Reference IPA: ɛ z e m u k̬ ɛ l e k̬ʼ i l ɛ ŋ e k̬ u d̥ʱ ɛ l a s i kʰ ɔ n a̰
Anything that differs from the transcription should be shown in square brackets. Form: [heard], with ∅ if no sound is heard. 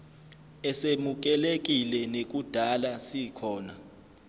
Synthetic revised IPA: ɛ [s] e m u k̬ ɛ l e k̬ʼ i l ɛ [n] e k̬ u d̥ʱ [a] l a s i kʰ [ɔː] n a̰